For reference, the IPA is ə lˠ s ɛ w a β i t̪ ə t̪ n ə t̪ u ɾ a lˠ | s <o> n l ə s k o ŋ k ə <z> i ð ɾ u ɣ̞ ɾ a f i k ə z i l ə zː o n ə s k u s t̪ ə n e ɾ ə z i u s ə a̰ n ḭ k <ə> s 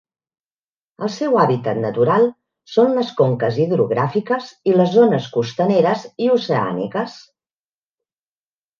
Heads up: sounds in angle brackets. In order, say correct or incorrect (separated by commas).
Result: correct, correct, correct